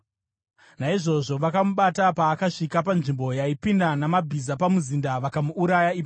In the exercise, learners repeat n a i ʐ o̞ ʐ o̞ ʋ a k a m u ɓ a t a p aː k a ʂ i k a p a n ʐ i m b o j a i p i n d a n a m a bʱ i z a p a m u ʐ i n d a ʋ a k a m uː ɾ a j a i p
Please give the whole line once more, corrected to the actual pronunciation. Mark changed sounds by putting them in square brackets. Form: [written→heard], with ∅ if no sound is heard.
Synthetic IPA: n a i ʐ o̞ ʐ o̞ ʋ a k a m u ɓ a t a p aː k a ʂ i k a p a n ʐ i m b o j a i p i n d a n a m a bʱ i z a p a m u [ʐ→z] i n d a ʋ a k a m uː ɾ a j a i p